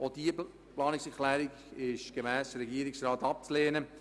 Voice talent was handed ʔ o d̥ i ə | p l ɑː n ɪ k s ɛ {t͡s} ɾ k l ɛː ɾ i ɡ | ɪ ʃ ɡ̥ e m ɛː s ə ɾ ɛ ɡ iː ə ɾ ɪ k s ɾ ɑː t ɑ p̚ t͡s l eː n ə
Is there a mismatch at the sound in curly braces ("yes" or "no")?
yes